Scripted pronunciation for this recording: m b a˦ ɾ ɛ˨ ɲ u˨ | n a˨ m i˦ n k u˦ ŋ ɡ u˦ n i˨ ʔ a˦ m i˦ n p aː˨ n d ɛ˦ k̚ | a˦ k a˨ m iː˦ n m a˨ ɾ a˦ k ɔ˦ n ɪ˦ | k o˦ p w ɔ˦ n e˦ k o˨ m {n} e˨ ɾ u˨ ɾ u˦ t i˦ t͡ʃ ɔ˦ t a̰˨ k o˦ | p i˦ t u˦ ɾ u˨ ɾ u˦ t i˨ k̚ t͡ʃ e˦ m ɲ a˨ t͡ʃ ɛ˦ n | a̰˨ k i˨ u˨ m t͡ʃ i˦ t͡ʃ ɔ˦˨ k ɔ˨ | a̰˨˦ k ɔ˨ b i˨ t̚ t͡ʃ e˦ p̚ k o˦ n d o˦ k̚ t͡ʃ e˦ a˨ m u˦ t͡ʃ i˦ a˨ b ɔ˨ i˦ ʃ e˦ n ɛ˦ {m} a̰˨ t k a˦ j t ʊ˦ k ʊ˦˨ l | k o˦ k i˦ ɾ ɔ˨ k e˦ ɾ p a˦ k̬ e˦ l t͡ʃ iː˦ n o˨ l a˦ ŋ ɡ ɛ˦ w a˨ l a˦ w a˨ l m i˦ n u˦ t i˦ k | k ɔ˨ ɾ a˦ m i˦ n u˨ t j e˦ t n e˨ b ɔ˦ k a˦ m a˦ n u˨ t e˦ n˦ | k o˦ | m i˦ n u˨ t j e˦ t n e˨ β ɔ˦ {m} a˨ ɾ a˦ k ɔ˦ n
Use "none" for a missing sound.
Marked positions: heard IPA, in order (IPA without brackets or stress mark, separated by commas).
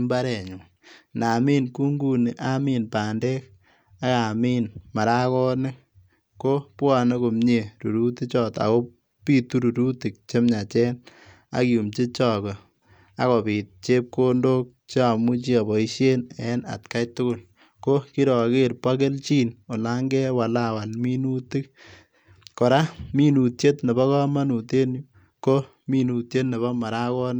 ɲ, n, m